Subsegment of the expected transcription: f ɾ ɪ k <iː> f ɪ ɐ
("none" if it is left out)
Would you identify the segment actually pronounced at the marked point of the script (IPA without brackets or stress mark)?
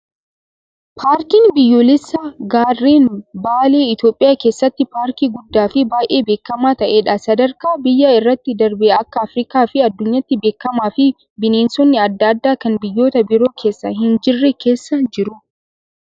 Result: aː